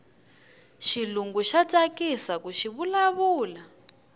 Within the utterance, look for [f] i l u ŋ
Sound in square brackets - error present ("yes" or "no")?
yes